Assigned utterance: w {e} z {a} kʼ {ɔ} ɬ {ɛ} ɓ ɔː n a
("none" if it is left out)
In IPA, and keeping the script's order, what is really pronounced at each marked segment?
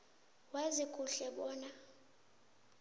a, i, u, ɛ

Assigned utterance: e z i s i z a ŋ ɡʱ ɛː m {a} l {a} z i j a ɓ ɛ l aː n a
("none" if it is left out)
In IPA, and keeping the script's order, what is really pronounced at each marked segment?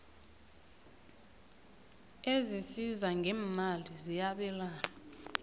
a, i

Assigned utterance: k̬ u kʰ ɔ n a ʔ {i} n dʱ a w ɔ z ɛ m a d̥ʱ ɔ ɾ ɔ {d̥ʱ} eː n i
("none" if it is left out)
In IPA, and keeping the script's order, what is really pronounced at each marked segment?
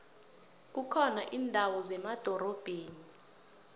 iː, b̥ʱ

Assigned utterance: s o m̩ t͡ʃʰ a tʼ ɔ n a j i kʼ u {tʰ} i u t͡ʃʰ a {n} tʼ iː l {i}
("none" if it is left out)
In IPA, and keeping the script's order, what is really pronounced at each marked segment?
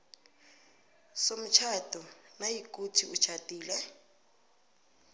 tʰ, none, ɛ

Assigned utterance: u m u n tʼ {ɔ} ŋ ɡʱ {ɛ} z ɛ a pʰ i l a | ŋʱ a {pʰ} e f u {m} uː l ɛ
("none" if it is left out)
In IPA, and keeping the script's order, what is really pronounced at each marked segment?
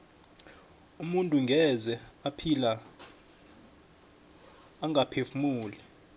u, ɛ, pʰ, m

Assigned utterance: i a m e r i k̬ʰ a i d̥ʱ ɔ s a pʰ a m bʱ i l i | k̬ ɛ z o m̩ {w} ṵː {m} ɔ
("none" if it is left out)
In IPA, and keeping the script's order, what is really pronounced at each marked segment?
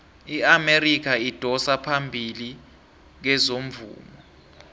v, m

